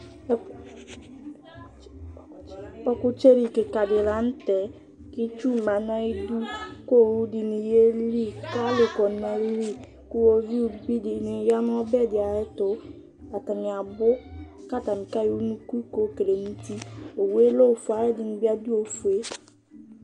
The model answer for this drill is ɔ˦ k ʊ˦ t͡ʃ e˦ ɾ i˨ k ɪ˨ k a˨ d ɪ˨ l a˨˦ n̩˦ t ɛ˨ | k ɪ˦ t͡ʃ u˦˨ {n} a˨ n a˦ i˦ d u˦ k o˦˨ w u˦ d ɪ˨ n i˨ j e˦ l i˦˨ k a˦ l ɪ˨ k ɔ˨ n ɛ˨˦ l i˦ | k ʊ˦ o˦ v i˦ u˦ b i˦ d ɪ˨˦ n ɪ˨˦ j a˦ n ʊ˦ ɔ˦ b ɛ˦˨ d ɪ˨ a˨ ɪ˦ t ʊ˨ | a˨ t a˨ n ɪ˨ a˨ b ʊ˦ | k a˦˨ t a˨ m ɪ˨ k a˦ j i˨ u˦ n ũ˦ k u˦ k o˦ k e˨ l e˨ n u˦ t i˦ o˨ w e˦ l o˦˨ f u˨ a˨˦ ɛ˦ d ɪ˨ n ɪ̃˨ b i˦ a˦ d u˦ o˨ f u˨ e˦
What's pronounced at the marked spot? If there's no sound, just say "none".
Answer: m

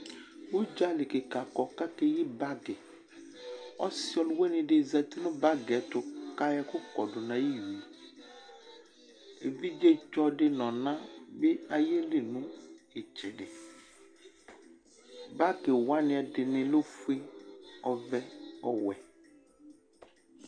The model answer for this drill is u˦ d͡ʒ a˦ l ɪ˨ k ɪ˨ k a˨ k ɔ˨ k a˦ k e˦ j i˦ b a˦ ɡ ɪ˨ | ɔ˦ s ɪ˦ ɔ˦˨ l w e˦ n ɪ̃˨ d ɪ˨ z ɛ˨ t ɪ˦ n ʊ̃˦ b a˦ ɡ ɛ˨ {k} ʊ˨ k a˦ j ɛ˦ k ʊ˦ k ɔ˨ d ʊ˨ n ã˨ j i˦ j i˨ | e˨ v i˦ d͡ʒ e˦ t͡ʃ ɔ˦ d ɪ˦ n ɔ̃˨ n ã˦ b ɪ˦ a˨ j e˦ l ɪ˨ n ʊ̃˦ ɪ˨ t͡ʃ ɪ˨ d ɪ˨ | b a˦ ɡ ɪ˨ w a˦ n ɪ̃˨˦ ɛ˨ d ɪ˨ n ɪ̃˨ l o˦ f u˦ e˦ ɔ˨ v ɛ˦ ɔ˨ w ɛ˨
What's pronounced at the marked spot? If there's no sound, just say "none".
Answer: t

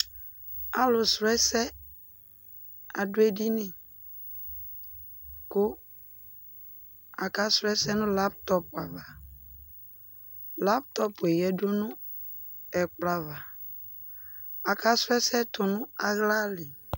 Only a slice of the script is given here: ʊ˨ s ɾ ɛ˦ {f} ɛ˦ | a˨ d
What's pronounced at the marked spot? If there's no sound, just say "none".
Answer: s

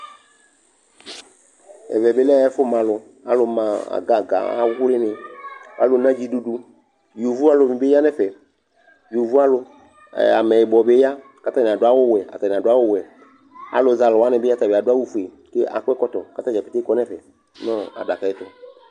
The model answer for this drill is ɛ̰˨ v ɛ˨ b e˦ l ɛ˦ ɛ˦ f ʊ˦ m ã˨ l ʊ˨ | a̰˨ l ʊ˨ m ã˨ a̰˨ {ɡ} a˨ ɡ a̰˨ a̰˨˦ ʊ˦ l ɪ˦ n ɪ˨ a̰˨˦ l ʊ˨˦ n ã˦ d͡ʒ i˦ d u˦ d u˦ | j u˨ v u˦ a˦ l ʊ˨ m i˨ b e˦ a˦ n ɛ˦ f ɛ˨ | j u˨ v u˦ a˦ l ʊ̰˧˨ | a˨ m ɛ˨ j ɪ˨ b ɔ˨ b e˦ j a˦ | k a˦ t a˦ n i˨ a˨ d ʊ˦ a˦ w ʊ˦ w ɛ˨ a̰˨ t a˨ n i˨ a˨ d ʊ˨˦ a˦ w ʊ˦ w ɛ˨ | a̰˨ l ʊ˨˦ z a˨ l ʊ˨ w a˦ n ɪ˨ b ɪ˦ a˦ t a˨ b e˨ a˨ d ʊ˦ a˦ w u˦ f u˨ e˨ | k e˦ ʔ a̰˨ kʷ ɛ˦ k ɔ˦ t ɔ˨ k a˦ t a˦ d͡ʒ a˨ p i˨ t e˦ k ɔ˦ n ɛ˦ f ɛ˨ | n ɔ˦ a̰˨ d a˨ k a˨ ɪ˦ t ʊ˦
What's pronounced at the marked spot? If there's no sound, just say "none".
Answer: ɡ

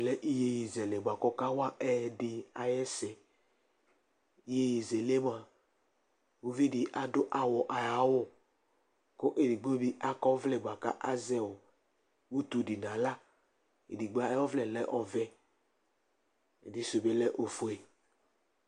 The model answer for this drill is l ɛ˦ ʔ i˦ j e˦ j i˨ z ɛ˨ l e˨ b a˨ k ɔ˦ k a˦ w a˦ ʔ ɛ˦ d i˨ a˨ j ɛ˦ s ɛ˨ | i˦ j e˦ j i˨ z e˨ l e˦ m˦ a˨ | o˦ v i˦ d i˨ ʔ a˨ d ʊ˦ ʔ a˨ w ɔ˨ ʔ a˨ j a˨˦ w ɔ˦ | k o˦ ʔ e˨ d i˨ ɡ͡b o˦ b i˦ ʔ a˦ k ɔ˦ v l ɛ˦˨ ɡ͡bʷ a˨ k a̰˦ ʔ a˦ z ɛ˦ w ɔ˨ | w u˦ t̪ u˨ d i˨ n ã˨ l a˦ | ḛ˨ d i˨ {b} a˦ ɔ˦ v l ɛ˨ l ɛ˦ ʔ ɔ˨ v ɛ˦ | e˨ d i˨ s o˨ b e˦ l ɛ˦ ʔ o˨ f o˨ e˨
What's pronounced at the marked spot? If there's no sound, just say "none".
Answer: ɡ͡b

